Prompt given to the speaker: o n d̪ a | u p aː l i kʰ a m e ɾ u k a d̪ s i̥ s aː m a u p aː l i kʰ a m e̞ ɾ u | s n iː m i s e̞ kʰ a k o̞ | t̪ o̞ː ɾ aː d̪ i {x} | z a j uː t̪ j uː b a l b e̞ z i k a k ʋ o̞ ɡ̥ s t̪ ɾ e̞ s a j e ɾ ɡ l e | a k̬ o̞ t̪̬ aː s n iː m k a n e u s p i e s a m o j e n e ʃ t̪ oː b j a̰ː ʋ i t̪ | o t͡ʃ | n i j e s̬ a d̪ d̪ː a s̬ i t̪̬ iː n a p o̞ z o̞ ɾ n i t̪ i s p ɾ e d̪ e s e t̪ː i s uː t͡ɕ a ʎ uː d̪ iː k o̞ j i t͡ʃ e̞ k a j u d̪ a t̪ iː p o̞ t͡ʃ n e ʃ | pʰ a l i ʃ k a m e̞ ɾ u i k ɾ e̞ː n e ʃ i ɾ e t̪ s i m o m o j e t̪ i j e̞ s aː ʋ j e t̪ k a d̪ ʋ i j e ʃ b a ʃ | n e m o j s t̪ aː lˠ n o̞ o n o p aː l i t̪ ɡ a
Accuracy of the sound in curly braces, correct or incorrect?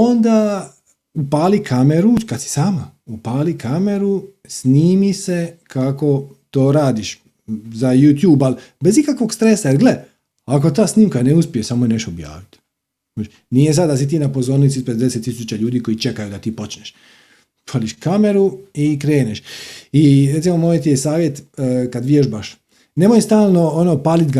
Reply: incorrect